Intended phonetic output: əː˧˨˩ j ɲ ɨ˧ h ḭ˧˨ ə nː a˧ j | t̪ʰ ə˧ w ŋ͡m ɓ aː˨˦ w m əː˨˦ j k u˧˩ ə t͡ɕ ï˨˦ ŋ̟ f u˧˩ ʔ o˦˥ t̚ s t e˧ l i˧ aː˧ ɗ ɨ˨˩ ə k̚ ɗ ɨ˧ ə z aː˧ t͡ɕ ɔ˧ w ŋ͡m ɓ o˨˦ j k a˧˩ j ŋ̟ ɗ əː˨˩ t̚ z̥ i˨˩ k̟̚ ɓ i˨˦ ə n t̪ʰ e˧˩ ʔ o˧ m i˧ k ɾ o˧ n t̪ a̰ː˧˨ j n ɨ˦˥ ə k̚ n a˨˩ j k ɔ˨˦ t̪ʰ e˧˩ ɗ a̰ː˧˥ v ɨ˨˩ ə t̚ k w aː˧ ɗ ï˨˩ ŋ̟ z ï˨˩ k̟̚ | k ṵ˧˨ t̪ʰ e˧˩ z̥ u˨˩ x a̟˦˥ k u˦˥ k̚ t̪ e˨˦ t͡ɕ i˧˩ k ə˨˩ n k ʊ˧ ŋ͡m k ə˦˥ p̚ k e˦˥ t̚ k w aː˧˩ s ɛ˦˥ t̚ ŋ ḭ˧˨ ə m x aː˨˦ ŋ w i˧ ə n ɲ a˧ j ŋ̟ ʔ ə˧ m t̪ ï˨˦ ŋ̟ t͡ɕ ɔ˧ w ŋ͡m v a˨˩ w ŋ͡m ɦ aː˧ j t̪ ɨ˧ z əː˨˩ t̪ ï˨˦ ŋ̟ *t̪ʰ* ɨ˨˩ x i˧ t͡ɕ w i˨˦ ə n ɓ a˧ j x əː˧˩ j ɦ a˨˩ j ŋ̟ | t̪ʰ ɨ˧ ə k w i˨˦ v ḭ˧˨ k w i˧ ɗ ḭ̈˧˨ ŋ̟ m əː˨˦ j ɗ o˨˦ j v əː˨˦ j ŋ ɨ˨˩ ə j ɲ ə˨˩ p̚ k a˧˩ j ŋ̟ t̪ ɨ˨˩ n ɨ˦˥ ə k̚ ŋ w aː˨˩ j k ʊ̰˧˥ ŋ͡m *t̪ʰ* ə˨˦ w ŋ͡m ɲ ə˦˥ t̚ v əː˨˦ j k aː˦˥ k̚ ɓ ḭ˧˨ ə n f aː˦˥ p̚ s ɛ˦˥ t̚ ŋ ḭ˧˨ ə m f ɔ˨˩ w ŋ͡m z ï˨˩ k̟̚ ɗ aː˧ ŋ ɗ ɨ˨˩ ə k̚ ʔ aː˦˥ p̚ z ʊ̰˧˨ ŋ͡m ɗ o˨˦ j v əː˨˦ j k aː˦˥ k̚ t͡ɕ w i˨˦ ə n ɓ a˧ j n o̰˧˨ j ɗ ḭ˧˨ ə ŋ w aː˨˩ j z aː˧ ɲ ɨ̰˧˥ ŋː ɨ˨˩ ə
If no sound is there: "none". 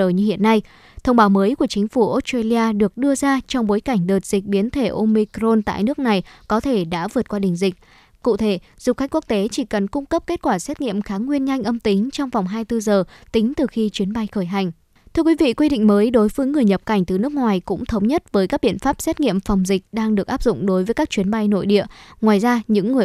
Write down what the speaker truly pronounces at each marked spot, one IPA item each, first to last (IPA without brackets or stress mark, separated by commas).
t̪, t̪ʰ